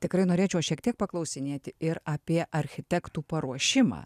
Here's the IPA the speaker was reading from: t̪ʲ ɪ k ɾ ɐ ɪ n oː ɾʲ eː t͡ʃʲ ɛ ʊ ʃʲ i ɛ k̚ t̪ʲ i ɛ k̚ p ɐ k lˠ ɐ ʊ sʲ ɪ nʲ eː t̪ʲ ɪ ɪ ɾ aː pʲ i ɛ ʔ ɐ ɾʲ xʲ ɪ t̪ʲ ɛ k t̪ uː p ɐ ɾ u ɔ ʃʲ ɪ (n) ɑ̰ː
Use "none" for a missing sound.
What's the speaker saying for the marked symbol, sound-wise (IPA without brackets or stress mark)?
m